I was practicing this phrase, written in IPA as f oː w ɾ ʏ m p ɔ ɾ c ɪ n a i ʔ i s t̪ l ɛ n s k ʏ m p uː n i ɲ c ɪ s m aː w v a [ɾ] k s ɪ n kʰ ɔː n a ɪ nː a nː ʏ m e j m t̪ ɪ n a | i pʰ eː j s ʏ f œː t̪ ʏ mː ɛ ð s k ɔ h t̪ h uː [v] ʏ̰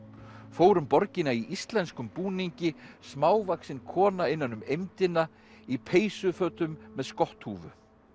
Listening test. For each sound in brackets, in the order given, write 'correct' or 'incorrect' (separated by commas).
incorrect, correct